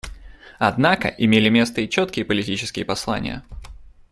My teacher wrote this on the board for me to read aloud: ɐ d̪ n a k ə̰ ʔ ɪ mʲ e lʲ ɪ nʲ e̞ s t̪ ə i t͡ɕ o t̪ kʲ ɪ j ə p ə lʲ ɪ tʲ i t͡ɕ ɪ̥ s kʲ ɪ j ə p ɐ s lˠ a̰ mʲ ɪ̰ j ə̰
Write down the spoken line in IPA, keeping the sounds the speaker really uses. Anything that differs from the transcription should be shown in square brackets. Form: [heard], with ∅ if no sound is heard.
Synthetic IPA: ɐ d̪ n a k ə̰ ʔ ɪ mʲ e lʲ ɪ [mʲ] e̞ s t̪ ə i t͡ɕ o t̪ kʲ ɪ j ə p ə lʲ ɪ tʲ i t͡ɕ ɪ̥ s kʲ ɪ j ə p ɐ s lˠ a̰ [nʲ] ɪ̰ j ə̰